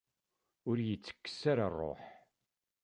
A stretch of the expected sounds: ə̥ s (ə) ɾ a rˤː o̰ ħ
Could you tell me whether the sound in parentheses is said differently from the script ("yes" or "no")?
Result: yes